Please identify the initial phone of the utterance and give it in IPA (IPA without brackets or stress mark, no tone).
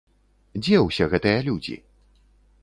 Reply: d͡zʲ